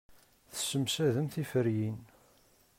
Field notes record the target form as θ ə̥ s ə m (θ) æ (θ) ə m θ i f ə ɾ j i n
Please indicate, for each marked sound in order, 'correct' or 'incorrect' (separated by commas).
incorrect, incorrect